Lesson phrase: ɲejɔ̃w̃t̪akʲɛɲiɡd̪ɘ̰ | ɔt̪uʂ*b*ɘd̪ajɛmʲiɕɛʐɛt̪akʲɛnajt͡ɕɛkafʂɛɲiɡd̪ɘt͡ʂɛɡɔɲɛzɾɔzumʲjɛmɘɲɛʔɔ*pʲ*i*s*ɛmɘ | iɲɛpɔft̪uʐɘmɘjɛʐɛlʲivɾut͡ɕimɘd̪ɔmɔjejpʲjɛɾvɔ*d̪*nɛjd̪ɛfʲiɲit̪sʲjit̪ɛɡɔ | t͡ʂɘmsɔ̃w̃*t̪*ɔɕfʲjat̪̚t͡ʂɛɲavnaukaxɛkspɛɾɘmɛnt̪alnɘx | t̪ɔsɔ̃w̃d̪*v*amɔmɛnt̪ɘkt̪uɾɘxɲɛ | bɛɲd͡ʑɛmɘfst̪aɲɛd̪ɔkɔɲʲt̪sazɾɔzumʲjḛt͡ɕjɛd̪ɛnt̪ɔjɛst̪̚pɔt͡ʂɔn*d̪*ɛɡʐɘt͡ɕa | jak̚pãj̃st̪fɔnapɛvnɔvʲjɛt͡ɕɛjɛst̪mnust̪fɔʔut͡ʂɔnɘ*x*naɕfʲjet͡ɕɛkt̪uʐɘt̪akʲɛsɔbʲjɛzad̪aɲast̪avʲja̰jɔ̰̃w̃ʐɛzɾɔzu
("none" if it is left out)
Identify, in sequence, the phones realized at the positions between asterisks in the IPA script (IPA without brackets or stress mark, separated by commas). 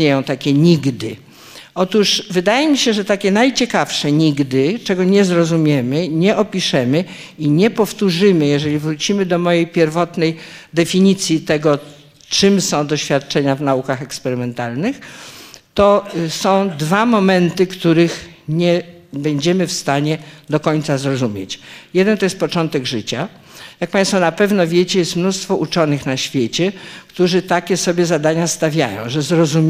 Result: v, pʲ, ʂ, t̪, d̪, v, t̪, x